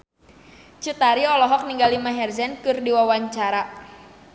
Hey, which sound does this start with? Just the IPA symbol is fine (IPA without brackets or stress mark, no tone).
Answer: t͡ʃ